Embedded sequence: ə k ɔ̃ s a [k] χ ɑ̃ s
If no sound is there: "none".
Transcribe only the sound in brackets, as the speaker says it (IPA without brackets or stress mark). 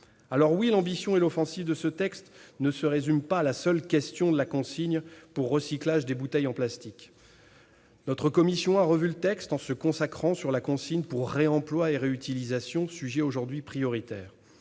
k